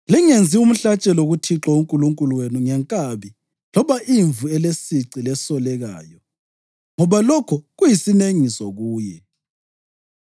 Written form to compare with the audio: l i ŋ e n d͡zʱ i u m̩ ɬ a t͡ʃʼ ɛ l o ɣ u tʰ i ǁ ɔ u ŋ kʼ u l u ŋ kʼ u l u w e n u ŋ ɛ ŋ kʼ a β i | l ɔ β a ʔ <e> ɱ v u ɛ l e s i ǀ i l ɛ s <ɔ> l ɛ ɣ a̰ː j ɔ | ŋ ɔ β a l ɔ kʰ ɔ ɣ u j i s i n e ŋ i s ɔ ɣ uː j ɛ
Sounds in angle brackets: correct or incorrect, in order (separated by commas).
incorrect, correct